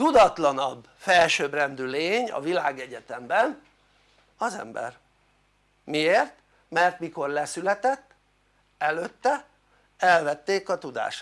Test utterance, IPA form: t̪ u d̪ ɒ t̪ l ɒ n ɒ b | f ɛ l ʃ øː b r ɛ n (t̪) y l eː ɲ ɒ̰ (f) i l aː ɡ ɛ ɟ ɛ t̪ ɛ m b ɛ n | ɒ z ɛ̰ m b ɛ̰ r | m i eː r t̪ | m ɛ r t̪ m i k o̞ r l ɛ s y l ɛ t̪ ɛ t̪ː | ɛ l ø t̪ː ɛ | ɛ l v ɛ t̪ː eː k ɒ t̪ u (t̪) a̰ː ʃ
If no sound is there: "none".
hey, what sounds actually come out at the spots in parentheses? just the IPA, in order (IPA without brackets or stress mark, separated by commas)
d̪, v, d̪